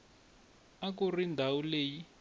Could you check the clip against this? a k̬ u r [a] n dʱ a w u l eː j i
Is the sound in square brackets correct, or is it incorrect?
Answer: incorrect